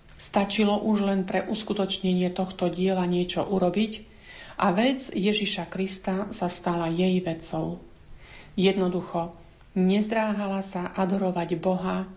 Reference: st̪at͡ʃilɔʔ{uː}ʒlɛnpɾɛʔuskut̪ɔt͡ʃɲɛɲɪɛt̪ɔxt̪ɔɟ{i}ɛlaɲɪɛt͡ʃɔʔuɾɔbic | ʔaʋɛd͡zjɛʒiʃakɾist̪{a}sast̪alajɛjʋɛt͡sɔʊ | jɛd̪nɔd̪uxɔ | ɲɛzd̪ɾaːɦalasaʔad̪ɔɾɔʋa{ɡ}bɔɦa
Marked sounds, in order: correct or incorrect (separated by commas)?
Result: incorrect, incorrect, correct, incorrect